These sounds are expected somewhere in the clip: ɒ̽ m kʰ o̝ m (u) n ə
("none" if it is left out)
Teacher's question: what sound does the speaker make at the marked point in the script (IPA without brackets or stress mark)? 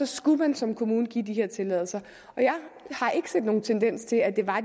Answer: uː